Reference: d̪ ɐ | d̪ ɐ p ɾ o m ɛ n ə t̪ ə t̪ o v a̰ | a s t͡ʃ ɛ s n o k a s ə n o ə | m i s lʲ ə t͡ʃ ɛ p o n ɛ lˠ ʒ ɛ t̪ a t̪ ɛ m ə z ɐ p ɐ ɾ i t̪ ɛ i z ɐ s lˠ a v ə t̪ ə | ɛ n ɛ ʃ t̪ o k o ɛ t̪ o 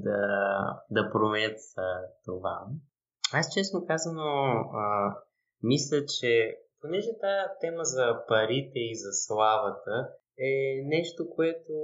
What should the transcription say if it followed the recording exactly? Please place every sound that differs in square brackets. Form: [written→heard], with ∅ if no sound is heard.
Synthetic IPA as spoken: d̪ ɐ | d̪ ɐ p ɾ o m ɛ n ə t̪ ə t̪ o v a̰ | a s t͡ʃ ɛ s n o k a [s→z] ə n o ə | m i s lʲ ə t͡ʃ ɛ p o n ɛ [lˠ→∅] ʒ ɛ t̪ a t̪ ɛ m ə z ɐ p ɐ ɾ i t̪ ɛ i z ɐ s lˠ a v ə t̪ ə | ɛ n ɛ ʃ t̪ o k o ɛ t̪ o